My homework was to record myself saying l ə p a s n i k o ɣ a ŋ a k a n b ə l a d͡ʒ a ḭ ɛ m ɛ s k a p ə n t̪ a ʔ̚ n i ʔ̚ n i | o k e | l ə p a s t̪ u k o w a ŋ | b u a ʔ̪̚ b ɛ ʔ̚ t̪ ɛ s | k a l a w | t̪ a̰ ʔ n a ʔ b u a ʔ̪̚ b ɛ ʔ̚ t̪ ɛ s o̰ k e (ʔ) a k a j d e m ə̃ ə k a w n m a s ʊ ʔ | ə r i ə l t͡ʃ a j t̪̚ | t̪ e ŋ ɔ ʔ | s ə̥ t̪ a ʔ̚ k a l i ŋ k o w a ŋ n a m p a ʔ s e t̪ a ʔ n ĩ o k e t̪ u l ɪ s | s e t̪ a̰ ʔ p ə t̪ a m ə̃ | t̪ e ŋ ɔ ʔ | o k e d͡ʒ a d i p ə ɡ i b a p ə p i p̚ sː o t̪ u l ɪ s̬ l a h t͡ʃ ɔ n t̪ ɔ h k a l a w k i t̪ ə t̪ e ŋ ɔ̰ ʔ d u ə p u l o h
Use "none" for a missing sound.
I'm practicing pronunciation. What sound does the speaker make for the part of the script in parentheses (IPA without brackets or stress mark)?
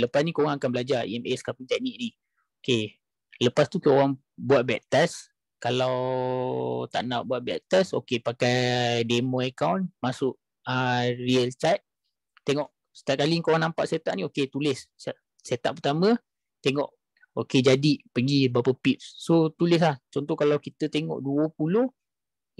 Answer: p